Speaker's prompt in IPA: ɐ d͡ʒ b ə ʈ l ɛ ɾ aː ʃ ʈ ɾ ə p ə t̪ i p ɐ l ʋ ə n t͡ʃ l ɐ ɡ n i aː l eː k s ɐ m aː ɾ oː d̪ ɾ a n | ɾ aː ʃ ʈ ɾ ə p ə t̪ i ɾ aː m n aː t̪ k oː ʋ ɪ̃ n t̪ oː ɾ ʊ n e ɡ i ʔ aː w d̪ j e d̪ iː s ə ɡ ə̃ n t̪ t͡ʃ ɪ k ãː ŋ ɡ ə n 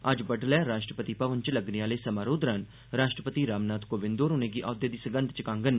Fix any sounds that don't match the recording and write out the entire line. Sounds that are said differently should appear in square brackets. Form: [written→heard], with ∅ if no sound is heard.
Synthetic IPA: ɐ d͡ʒ b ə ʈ l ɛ ɾ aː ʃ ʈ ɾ ə p ə t̪ i p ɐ [l→∅] ʋ ə n t͡ʃ l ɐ ɡ n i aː l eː [k→∅] s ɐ m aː ɾ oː d̪ ɾ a n | ɾ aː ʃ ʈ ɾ ə p ə t̪ i ɾ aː m n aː t̪ k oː ʋ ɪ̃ n [t̪→d̪] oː ɾ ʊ n e ɡ i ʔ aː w d̪ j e d̪ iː s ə ɡ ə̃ n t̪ t͡ʃ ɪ k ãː ŋ ɡ ə n